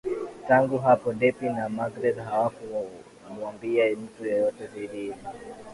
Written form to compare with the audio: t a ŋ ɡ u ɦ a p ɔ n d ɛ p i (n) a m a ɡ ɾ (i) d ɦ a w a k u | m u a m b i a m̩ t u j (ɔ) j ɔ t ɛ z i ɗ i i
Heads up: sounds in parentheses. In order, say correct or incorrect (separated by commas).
correct, incorrect, correct